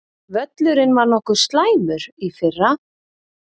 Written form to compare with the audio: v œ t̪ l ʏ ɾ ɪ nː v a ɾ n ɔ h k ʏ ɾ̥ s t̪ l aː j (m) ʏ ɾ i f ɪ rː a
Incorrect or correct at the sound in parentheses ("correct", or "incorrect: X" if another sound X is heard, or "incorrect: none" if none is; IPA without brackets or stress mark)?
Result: correct